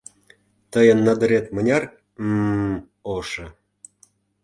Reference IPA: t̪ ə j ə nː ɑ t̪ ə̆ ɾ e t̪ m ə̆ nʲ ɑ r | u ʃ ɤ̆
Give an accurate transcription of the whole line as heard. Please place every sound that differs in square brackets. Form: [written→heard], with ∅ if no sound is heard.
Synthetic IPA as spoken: t̪ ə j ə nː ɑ [t̪→d̪] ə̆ ɾ e t̪ m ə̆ nʲ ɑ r | [u→o] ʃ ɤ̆